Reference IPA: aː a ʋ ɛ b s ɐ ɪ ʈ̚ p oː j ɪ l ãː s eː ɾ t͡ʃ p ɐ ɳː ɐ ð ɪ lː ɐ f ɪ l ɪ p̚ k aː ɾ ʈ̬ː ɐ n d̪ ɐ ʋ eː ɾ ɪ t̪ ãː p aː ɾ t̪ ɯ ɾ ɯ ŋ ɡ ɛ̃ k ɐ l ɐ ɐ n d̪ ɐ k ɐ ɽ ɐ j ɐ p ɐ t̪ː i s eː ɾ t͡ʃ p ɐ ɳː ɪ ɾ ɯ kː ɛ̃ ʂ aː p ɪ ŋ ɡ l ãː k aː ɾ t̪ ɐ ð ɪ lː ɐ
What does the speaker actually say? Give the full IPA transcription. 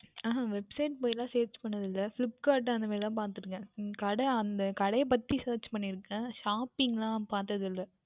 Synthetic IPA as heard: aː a ʋ ɛ b s ɐ ɪ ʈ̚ p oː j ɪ l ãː s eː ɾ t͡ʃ p ɐ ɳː ɐ ð ɪ lː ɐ f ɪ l ɪ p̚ k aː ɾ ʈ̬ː ɐ n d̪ ɐ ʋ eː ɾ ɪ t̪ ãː p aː ɾ t̪ ɯ ɾ ɯ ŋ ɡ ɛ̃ k ɐ ɽ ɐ ɐ n d̪ ɐ k ɐ ɽ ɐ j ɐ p ɐ t̪ː i s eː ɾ t͡ʃ p ɐ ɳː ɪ ɾ ɯ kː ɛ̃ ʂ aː p ɪ ŋ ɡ l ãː p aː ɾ t̪ ɐ ð ɪ lː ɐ